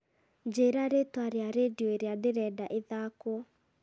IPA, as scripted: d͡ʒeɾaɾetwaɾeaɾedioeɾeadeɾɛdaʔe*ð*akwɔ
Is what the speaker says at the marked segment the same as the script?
yes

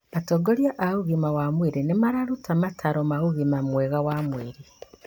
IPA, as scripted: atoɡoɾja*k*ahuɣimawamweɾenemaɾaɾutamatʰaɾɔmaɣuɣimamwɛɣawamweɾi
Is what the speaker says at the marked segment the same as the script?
no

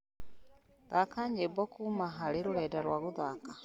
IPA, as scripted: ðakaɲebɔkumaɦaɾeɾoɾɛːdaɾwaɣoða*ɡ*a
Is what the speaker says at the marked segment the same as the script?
no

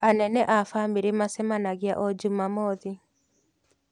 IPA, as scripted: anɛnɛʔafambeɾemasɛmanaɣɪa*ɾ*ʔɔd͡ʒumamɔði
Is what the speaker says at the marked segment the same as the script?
no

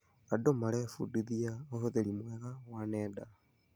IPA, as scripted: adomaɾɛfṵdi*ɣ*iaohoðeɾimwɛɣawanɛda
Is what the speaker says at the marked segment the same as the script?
no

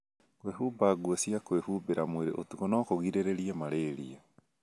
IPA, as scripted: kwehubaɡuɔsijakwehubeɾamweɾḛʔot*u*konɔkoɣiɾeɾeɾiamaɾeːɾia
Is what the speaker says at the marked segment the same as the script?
yes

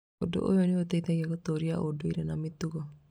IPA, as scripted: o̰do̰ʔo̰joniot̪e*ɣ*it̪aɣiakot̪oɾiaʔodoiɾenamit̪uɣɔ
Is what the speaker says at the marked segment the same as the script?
no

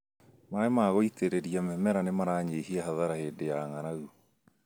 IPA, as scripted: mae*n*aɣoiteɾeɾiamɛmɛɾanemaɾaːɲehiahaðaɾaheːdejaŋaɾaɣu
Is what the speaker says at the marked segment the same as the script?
no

